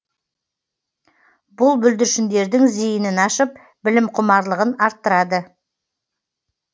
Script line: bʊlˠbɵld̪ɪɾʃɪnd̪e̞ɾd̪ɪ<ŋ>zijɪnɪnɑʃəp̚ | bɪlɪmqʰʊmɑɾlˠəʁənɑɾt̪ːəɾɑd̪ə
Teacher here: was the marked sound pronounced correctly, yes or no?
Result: yes